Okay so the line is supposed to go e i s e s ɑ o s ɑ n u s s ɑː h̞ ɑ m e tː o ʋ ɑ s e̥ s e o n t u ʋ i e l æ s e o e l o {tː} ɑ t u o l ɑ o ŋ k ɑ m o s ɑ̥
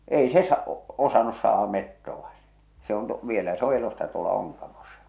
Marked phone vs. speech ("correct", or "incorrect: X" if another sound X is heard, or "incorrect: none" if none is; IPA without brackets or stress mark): incorrect: sː